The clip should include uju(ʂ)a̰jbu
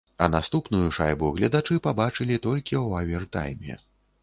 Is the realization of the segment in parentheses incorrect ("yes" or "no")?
no